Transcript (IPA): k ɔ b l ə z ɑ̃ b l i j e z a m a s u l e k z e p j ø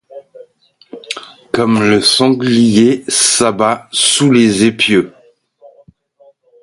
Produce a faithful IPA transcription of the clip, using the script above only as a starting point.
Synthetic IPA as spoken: k ɔ m l ə s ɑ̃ ɡ l i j e s a b a s u l e z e p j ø